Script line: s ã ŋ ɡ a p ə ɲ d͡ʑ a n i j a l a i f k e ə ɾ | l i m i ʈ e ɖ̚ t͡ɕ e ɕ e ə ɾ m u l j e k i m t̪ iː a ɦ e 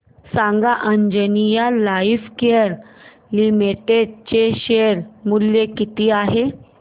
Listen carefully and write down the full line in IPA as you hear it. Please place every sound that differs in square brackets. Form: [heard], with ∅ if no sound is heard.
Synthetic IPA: s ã ŋ ɡ a [ʔ] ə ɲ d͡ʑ [ə] n i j a l a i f k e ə ɾ | l i m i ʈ e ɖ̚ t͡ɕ e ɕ e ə ɾ m u l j e k i [∅] t̪ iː a ɦ e